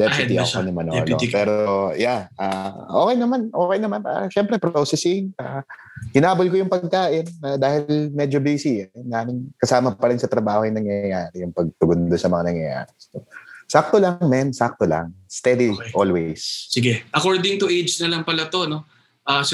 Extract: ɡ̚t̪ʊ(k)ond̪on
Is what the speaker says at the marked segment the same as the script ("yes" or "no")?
no